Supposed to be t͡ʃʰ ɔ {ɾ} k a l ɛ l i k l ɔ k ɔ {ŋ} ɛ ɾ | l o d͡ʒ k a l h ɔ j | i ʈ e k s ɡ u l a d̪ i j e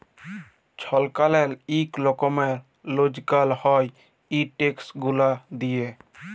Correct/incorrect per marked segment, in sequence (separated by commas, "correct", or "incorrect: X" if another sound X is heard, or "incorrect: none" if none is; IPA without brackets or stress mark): incorrect: l, incorrect: m